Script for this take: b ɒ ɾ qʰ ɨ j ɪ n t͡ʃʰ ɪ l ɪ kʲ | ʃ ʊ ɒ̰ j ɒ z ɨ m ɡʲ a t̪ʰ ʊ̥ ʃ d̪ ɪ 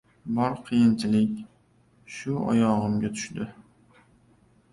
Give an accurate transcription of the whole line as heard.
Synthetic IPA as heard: b ɒ ɾ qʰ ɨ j ɪ n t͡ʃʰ ɪ l ɪ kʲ | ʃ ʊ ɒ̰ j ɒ ʁ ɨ m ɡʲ a t̪ʰ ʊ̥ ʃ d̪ ɪ